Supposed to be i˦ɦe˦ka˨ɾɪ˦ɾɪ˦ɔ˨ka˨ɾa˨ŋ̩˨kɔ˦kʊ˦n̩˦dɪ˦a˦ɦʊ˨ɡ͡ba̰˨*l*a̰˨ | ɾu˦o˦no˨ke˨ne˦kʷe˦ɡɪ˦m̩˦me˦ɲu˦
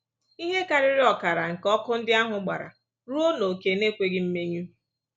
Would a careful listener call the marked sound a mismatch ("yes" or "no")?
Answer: yes